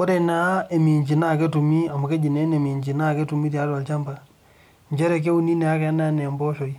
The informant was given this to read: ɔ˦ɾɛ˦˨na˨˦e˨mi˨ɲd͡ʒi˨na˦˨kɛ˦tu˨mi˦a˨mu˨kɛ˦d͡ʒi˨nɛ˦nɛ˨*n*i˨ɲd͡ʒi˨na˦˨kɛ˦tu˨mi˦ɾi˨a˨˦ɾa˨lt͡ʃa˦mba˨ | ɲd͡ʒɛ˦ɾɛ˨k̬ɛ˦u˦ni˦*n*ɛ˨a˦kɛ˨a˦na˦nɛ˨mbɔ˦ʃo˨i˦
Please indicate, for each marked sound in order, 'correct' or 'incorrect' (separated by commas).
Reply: incorrect, correct